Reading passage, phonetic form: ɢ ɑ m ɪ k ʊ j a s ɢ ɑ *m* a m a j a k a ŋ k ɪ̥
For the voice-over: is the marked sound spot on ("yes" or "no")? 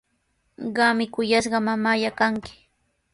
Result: yes